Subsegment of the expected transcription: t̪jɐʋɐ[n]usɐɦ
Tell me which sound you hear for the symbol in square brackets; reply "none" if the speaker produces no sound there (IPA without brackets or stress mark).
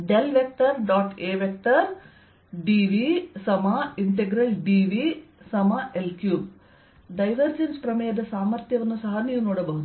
nː